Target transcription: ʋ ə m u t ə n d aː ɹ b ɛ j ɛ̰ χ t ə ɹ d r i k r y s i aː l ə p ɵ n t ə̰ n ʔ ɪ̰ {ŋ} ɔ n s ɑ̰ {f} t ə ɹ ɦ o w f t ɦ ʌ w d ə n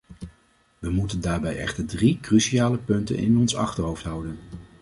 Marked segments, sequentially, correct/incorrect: incorrect, incorrect

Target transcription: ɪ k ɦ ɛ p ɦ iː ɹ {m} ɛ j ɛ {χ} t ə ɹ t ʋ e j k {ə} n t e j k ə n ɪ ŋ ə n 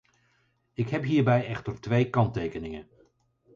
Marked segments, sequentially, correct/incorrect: incorrect, correct, incorrect

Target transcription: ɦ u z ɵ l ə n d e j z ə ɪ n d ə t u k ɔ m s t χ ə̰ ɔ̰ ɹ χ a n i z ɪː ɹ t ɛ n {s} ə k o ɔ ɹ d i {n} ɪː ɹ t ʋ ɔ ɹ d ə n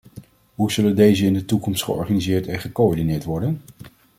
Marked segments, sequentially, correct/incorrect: incorrect, correct

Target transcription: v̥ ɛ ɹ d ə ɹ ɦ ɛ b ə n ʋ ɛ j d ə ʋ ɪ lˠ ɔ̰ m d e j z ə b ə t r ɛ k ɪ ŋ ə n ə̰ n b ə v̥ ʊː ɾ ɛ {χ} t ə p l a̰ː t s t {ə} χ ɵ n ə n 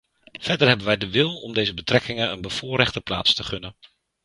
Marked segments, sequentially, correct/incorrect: correct, correct

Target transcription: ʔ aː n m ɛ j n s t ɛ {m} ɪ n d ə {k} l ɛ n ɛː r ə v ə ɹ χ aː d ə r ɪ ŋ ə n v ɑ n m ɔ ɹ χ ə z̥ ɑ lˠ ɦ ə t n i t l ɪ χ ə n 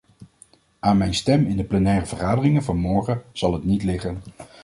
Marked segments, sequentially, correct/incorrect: correct, incorrect

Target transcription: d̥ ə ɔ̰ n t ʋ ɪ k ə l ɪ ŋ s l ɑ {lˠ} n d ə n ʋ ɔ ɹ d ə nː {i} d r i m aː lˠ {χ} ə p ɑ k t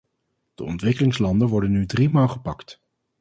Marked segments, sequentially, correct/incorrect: incorrect, incorrect, correct

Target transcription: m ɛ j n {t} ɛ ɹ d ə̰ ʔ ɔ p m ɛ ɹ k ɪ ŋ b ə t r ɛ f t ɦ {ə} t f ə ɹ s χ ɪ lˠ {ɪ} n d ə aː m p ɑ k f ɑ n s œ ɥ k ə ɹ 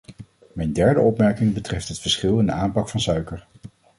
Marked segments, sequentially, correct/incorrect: incorrect, correct, correct

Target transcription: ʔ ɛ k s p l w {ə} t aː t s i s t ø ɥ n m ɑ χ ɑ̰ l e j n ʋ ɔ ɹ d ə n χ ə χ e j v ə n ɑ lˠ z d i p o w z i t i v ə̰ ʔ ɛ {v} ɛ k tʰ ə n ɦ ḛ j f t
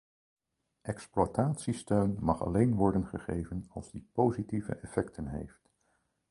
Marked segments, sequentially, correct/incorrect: incorrect, incorrect

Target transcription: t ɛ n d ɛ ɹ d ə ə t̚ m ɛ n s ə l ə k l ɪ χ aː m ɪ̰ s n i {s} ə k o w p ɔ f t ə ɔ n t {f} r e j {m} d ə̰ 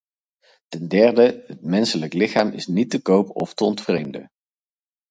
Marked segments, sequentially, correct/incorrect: incorrect, correct, correct

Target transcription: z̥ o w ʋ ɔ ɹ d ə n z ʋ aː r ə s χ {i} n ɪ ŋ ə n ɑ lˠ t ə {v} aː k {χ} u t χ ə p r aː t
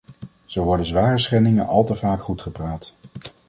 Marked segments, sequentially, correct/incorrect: incorrect, correct, correct

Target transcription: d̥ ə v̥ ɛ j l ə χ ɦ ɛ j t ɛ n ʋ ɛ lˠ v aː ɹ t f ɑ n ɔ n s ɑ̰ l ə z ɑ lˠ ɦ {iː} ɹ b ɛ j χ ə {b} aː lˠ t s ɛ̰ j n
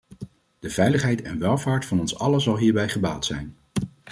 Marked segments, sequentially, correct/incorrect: correct, correct

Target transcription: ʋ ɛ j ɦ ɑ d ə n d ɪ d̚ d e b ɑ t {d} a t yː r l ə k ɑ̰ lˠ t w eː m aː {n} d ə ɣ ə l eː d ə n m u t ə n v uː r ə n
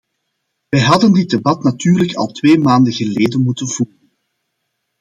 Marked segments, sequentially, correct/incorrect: incorrect, correct

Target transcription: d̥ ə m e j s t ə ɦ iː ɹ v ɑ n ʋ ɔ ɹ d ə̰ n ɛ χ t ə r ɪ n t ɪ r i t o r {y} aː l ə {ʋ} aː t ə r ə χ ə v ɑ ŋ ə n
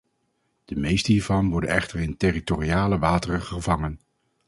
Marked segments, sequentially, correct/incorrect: incorrect, correct

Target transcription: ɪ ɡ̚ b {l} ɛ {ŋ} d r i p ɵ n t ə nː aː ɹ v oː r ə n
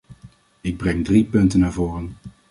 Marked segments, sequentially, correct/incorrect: incorrect, correct

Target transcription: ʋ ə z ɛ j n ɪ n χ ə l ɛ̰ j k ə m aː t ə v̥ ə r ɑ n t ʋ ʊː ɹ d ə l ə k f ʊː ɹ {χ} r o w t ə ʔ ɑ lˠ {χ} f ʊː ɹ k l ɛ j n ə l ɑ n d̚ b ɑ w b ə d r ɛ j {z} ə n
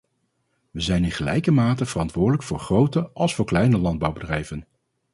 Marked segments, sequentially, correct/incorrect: correct, incorrect, incorrect

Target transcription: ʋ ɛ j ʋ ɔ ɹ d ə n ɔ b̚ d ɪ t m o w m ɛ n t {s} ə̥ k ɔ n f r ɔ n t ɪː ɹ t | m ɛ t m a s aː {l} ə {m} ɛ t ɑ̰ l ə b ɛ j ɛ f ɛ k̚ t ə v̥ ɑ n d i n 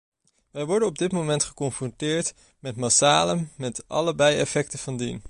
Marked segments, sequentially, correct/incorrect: incorrect, correct, correct

